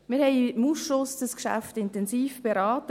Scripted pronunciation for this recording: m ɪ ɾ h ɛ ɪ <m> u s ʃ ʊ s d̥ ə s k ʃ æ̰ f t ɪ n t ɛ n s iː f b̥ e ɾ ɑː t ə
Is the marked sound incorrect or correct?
correct